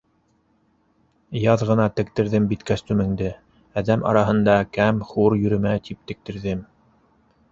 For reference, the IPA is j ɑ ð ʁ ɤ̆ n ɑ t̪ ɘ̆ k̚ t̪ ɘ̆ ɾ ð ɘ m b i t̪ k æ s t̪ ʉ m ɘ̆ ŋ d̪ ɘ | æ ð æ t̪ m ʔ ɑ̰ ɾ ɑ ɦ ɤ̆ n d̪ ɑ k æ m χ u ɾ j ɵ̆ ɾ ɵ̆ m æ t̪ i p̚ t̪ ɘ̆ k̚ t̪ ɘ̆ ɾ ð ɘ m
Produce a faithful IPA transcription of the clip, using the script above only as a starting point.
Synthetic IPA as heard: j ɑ ð ʁ ɤ̆ n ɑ t̪ ɘ̆ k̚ t̪ ɘ̆ ɾ ð ɘ m b i t̪ k æ s t̪ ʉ m ɘ̆ ŋ d̪ ɘ | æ ð æ m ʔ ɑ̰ ɾ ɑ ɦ ɤ̆ n d̪ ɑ k æ m χ u ɾ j ɵ̆ ɾ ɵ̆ m æ t̪ i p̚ t̪ ɘ̆ k̚ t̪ ɘ̆ ɾ ð ɘ m